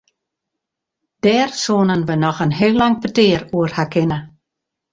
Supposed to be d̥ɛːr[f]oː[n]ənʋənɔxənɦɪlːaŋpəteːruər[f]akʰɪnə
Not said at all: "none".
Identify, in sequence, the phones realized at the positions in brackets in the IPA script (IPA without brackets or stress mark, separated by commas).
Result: s, n, h